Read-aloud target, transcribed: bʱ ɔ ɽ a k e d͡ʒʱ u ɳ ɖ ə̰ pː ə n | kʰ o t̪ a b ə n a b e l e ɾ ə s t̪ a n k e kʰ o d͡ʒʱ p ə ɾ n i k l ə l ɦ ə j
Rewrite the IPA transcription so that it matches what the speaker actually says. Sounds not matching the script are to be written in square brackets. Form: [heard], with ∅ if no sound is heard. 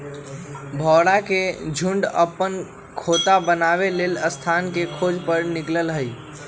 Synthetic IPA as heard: bʱ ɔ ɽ a k e d͡ʒʱ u ɳ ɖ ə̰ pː ə n | kʰ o t̪ a b ə n a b e l e [l] ə s [t̪ʰ] a n k e kʰ o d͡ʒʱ p ə ɾ n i k l ə l ɦ ə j